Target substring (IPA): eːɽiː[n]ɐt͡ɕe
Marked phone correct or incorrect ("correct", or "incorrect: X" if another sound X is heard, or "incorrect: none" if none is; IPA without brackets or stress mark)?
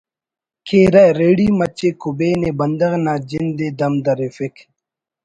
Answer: incorrect: m